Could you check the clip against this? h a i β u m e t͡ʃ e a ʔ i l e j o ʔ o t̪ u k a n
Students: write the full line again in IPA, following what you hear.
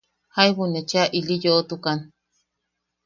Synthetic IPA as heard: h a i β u n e t͡ʃ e a ʔ i l i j o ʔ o t̪ u k a n